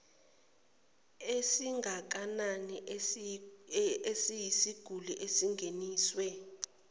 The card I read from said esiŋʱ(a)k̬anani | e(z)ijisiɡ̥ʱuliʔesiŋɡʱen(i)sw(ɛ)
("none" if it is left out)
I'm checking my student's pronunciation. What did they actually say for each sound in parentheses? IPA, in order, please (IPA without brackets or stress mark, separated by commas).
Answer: a, s, iː, ɛ